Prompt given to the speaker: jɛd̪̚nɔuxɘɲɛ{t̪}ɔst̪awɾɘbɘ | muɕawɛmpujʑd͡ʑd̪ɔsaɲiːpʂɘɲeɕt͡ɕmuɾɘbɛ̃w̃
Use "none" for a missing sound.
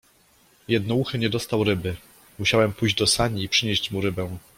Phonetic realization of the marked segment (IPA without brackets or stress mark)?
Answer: d̪